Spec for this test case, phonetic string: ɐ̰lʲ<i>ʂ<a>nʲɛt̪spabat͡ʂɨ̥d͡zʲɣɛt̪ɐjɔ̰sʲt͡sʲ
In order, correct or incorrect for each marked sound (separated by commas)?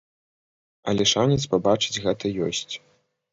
incorrect, correct